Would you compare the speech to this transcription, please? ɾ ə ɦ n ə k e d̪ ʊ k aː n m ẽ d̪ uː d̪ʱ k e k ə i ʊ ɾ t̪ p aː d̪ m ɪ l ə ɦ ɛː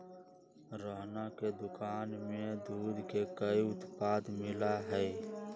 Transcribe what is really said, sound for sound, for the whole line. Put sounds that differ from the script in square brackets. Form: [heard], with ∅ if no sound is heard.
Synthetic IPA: ɾ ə ɦ n [a] k e d̪ ʊ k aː n m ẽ d̪ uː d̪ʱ k e k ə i ʊ [∅] t̪ p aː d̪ m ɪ l [a] ɦ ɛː

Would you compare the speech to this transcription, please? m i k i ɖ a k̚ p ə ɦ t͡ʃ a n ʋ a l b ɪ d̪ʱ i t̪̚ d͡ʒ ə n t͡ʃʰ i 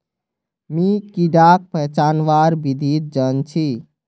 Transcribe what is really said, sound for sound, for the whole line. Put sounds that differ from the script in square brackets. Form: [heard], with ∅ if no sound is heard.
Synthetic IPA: m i k i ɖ a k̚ p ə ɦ t͡ʃ a n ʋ a [ɾ] b [i] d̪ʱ i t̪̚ d͡ʒ ə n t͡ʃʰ i

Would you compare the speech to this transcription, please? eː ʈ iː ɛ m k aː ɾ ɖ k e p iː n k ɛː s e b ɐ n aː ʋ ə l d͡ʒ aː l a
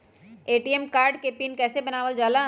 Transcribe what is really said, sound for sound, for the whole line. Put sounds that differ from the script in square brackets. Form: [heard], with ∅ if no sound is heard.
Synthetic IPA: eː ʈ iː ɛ m k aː ɾ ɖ k e p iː n k ɛː s e b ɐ n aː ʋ ə l d͡ʒ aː l a

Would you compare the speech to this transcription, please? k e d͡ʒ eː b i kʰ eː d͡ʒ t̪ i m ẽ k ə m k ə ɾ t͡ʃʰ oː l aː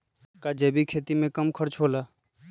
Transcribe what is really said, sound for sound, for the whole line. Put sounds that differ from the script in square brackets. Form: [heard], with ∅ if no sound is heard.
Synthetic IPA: k [a] d͡ʒ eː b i kʰ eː [∅] t̪ i m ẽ k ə m [kʰ] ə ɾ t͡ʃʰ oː l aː

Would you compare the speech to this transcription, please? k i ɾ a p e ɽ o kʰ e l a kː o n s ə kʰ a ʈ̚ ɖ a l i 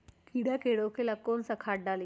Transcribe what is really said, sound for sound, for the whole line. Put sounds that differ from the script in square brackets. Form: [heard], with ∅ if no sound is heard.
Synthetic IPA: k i [ɽ] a [k] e ɽ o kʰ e l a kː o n s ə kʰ a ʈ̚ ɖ a l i

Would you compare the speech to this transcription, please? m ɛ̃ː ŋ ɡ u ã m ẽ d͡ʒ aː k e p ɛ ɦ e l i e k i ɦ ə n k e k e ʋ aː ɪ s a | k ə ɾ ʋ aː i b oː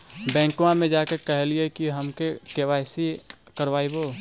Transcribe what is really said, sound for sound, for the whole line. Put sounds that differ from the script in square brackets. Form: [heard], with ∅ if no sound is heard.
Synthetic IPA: [b] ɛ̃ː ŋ [k] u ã m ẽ d͡ʒ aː k e [k] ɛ ɦ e l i e k i ɦ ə [m] k e k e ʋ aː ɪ s [i] | k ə ɾ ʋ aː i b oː

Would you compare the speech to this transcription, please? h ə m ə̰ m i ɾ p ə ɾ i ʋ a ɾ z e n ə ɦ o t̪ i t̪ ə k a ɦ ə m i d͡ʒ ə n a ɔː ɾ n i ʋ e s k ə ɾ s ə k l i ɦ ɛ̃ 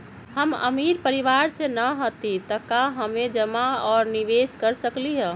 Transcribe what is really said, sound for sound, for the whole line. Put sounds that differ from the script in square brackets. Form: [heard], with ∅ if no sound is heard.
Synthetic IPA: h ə m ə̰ m i ɾ p ə ɾ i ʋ a ɾ [s] e n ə ɦ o t̪ i t̪ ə k a ɦ ə m [e] d͡ʒ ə [m] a ɔː ɾ n i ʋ e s k ə ɾ s ə k l i ɦ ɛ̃

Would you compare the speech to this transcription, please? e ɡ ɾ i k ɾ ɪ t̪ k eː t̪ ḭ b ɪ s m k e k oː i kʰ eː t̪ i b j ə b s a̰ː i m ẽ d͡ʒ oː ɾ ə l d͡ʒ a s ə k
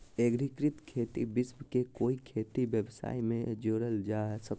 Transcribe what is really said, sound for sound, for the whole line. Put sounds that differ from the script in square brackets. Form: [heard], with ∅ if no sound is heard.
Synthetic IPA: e ɡ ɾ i k ɾ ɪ t̪ [kʰ] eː t̪ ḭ b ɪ s m k e k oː i kʰ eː t̪ i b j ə b s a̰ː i m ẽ d͡ʒ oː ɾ ə l d͡ʒ a s ə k

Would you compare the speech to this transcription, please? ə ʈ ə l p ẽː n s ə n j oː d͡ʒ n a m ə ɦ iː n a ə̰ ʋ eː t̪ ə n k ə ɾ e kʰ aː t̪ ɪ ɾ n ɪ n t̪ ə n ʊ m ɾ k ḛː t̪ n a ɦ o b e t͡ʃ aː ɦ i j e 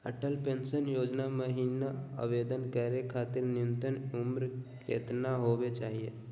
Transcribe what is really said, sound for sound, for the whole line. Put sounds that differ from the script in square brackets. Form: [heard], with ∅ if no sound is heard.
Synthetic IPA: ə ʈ ə l p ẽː n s ə n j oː d͡ʒ n a m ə ɦ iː n a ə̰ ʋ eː [d̪] ə n k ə ɾ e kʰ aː t̪ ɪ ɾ n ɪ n t̪ ə n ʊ m ɾ k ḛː t̪ n a ɦ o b e t͡ʃ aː ɦ i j e

